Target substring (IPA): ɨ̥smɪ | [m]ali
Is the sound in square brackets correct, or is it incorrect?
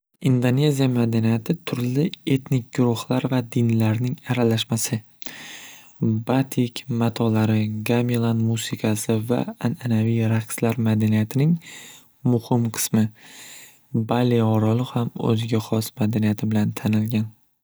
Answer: incorrect